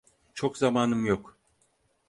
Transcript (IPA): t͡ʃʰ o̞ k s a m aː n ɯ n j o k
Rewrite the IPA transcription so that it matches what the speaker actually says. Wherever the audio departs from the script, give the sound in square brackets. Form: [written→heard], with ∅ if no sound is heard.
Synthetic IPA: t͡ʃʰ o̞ k [s→z] a m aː n ɯ [n→m] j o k